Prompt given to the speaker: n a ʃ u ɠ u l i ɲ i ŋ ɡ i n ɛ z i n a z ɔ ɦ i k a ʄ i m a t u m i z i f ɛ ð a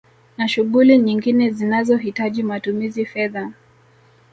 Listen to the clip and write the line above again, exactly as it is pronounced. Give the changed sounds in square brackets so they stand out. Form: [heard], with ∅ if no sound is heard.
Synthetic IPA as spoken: n a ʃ u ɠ u l i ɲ i ŋ ɡ i n ɛ z i n a z ɔ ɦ i [t] a ʄ i m a t u m i z i f ɛ ð a

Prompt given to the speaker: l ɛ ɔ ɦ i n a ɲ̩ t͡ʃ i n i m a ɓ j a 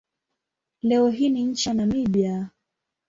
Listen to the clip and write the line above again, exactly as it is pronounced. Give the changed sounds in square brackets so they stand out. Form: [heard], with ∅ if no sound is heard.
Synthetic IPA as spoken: l ɛ ɔ ɦ i n [i] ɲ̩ t͡ʃ [a] n [a] m [i] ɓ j a

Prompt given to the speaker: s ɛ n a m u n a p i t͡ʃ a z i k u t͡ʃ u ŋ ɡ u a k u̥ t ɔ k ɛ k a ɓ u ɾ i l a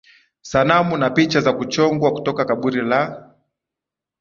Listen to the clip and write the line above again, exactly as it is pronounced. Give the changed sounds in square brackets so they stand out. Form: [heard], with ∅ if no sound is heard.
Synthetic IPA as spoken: s [a] n a m u n a p i t͡ʃ a z [a] k u t͡ʃ [ɔ] ŋ ɡ [w] a k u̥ t ɔ k [a] k a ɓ u ɾ i l a

